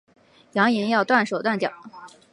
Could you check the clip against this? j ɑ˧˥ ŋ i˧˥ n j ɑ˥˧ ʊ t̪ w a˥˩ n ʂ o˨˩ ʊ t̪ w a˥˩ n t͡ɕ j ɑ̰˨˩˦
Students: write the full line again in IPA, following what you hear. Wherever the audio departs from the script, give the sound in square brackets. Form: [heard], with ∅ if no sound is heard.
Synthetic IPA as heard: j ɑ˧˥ ŋ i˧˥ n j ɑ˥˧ ʊ t̪ w a˥˩ n ʂ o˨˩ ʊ t̪ w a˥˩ n t͡ɕ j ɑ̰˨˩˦

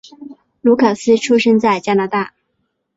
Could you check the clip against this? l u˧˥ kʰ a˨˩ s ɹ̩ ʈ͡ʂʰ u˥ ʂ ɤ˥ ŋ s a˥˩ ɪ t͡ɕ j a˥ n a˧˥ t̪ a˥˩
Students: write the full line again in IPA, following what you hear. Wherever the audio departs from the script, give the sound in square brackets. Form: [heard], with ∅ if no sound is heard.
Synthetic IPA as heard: l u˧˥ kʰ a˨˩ s ɹ̩ ʈ͡ʂʰ u˥ ʂ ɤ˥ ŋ [t͡s] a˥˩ ɪ t͡ɕ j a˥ n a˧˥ t̪ a˥˩

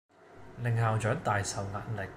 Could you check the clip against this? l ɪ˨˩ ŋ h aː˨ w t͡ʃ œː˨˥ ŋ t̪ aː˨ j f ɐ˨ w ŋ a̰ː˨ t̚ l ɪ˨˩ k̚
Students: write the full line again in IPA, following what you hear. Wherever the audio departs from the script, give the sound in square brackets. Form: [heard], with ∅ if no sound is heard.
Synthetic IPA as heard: l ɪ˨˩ ŋ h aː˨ w t͡ʃ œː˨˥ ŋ t̪ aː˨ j [s] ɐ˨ w ŋ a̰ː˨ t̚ l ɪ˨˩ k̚

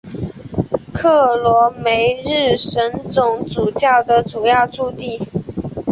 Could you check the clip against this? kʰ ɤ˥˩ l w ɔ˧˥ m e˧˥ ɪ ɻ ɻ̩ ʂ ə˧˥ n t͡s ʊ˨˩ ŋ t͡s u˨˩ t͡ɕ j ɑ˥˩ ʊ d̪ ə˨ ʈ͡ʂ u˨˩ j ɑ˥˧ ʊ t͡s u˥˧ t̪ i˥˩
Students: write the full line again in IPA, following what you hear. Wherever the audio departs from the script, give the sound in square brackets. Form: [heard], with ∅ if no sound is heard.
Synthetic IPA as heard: kʰ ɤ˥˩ l w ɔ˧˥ m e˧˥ ɪ ɻ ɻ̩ ʂ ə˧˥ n t͡s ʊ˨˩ ŋ t͡s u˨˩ t͡ɕ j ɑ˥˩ ʊ d̪ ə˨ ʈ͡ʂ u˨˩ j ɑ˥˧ ʊ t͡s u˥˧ t̪ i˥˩

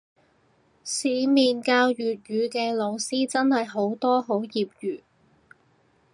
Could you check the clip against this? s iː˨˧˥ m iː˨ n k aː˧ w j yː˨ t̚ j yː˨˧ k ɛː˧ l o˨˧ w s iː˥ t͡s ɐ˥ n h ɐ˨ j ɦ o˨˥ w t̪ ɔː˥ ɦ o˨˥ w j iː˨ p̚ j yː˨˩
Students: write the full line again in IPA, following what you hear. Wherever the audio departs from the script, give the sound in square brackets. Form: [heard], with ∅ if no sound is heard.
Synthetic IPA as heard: s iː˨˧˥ m iː˨ n k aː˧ w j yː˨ t̚ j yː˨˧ k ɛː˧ l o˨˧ w s iː˥ t͡s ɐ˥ n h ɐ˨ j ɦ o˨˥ w t̪ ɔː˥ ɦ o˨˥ w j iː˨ p̚ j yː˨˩

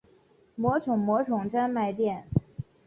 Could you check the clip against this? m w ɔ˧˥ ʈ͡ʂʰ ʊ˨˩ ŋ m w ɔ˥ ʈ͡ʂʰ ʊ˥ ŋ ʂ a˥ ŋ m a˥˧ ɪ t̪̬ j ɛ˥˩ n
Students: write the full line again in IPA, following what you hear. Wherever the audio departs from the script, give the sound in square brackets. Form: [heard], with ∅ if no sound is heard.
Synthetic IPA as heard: m w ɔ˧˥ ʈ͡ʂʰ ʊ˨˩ ŋ m w [ɔ˧˥] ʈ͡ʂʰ [ʊ˨˩] ŋ [ʈ͡ʂ] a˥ [n] m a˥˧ ɪ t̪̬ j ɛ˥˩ n

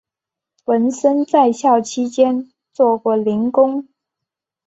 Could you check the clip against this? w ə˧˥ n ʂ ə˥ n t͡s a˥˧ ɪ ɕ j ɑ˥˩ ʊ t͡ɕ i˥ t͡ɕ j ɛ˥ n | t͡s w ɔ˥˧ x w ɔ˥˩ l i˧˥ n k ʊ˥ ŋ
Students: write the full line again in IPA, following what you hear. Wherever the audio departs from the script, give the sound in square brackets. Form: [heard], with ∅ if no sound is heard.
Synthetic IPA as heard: w ə˧˥ n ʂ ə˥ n t͡s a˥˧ ɪ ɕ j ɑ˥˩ ʊ [t͡ɕʰ] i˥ t͡ɕ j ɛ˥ n | t͡s w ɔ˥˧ [k] w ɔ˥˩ l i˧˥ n k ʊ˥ ŋ

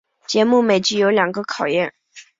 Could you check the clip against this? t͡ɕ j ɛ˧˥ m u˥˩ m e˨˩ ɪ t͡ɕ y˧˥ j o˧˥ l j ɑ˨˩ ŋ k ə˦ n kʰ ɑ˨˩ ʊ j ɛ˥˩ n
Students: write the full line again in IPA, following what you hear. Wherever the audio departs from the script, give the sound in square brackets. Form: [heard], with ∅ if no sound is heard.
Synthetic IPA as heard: t͡ɕ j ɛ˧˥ m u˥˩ m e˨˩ ɪ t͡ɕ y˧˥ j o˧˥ l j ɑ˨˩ ŋ [ɡ] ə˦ [∅] kʰ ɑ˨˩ ʊ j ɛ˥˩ n

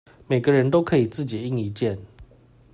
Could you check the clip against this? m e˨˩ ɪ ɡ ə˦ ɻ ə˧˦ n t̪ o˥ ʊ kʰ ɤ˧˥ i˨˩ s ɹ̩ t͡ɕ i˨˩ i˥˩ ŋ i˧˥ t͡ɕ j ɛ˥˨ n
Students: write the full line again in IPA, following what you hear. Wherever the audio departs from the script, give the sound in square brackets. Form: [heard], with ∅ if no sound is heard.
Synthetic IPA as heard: m e˨˩ ɪ ɡ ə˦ ɻ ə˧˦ n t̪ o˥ ʊ kʰ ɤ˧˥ i˨˩ [t͡s] ɹ̩ t͡ɕ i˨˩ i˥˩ ŋ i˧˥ t͡ɕ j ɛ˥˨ n

